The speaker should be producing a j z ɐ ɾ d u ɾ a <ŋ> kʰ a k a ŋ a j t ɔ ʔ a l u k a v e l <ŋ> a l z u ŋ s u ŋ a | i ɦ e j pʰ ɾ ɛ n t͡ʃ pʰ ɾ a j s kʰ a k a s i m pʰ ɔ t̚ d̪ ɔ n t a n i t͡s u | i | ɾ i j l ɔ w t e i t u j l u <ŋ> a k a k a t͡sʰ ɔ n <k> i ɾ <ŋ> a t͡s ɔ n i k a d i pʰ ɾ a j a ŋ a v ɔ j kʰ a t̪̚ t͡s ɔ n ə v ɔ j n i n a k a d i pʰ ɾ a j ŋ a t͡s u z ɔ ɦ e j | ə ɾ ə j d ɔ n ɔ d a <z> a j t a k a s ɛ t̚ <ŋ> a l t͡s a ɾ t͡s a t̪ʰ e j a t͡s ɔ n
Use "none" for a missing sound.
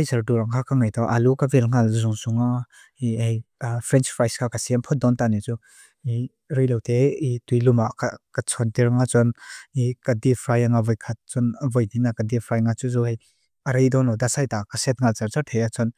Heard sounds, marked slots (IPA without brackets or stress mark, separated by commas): ŋ, ŋ, m, t, ŋ, s, ŋ